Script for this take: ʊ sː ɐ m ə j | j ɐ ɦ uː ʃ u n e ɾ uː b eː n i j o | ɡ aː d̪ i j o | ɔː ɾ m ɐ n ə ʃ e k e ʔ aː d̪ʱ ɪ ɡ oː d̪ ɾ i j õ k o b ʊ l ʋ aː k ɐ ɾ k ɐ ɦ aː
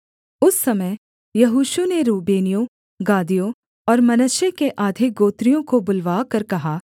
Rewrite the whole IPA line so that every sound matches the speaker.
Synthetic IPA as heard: ʊ sː ɐ m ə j | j ɐ ɦ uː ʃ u n e ɾ uː b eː n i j o | ɡ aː d̪ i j o | ɔː ɾ m ɐ n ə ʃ e k e ʔ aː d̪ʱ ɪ ɡ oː t̪ ɾ i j õ k o b ʊ l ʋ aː k ɐ ɾ k ɐ ɦ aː

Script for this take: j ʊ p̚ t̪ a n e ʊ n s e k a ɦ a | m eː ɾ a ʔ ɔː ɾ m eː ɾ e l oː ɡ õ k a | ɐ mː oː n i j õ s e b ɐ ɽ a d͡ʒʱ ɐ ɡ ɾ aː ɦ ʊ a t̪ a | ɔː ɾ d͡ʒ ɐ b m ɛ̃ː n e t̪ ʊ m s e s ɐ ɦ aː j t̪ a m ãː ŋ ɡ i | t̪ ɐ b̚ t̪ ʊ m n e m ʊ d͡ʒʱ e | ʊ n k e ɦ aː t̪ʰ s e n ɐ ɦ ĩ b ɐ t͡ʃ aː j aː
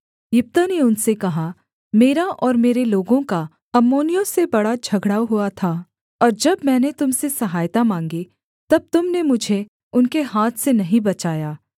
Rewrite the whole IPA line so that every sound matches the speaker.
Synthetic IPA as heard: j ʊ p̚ t̪ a n e ʊ n s e k ɐ ɦ a | m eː ɾ a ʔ ɔː ɾ m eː ɾ e l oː ɡ õ k a | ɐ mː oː n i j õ s e b ɐ ɽ a d͡ʒʱ ɐ ɡ ɽ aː ɦ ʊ a t̪ʰ a | ɔː ɾ d͡ʒ ɐ b m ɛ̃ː n e t̪ ʊ m s e s ɐ ɦ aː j t̪ a m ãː ŋ ɡ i | t̪ ɐ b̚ t̪ ʊ m n e m ʊ d͡ʒʱ e | ʊ n k e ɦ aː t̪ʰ s e n ɐ ɦ ĩ b ɐ t͡ʃ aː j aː

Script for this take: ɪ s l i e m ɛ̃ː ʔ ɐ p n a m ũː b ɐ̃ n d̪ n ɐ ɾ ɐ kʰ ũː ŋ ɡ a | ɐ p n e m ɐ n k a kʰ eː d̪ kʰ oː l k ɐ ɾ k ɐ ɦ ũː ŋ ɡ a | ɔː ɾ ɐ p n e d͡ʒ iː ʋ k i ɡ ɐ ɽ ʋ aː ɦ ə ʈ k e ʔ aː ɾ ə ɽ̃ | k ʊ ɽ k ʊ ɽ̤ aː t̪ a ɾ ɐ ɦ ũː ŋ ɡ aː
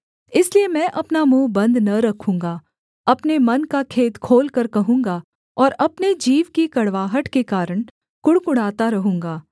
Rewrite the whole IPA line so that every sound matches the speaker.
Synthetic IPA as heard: ɪ s l i e m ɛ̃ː ʔ ɐ p n a m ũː b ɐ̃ n d̪ n ɐ ɾ ɐ kʰ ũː ŋ ɡ a | ɐ p n e m ɐ n k a kʰ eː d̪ kʰ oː l k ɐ ɾ k ɐ ɦ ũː ŋ ɡ a | ɔː ɾ ɐ p n e d͡ʒ iː ʋ k i k ɐ ɽ ʋ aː ɦ ə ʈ k e k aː ɾ ə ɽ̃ | k ʊ ɽ k ʊ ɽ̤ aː t̪ a ɾ ɐ ɦ ũː ŋ ɡ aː

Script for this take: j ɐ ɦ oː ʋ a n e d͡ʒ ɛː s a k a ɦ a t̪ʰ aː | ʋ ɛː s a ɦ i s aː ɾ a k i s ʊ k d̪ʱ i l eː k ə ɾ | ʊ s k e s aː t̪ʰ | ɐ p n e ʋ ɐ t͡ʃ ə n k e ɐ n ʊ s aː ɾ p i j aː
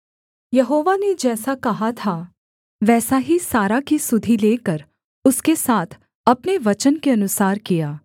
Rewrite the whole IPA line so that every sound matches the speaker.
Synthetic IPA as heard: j ɐ ɦ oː ʋ a n e d͡ʒ ɛː s a k ɐ ɦ a t̪ʰ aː | ʋ ɛː s a ɦ i s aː ɾ a k i s ʊ d̪ʱ i l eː k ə ɾ | ʊ s k e s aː t̪ʰ | ɐ p n e ʋ ɐ t͡ʃ ə n k e ɐ n ʊ s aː ɾ k i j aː

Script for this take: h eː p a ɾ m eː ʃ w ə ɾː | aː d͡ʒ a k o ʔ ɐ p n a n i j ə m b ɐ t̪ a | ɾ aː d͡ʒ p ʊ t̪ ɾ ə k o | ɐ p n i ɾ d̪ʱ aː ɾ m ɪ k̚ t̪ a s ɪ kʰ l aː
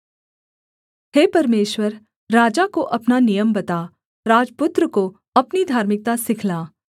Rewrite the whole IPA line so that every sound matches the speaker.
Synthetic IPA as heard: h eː p ɐ ɾ m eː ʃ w ə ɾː | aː d͡ʒ a k o ʔ ɐ p n a n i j ə m b ɐ t̪ a | ɾ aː d͡ʒ p ʊ t̪ ɾ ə k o | ɐ p n i d̪ʱ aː ɾ m ɪ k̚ t̪ a s ɪ kʰ l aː

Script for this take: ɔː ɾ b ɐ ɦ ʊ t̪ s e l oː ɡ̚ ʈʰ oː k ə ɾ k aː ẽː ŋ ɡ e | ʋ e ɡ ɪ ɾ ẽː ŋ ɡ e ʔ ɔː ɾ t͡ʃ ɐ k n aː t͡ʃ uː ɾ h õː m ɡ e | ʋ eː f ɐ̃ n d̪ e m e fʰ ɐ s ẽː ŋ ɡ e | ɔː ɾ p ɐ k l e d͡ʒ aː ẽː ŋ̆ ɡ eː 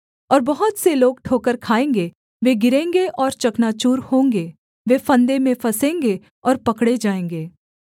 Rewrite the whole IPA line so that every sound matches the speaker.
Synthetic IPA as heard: ɔː ɾ b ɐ ɦ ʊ t̪ s e l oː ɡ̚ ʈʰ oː k ə ɾ kʰ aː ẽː ŋ ɡ e | ʋ e ɡ ɪ ɾ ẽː ŋ ɡ e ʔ ɔː ɾ t͡ʃ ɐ k n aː t͡ʃ uː ɾ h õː ŋ ɡ e | ʋ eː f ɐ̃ n d̪ e m ẽ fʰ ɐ s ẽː ŋ ɡ e | ɔː ɾ p ɐ k ɽ e d͡ʒ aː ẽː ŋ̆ ɡ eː

